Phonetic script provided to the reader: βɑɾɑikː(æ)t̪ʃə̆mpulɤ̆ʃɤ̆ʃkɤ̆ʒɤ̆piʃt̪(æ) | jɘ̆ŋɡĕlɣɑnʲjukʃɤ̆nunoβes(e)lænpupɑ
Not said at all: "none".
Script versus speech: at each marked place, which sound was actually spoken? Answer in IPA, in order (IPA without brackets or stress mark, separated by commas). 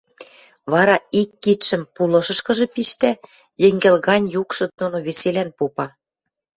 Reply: i, æ, e